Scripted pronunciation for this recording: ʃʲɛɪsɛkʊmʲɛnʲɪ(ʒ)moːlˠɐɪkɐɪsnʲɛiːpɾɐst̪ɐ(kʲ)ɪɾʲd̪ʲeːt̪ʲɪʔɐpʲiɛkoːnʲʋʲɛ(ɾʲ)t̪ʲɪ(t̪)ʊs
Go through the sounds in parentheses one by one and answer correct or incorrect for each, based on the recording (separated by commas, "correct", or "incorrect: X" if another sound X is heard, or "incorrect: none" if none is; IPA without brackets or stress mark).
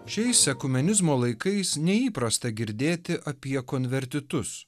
incorrect: z, incorrect: ɡʲ, correct, correct